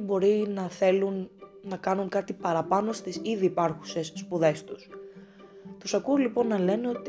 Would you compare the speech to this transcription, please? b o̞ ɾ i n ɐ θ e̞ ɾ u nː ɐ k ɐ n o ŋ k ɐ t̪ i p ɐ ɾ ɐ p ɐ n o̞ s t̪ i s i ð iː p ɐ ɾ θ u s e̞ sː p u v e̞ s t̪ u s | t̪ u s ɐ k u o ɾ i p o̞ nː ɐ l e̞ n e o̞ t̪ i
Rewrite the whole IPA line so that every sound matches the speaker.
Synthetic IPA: b o̞ ɾ i n ɐ θ e̞ l u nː ɐ k ɐ n u ŋ k ɐ t̪ i p ɐ ɾ ɐ p ɐ n o̞ s t̪ i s i ð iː p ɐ ɾ x u s e̞ sː p u ð e̞ s t̪ u s | t̪ u s ɐ k u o l i p o̞ nː ɐ l e̞ n e o̞ t̪ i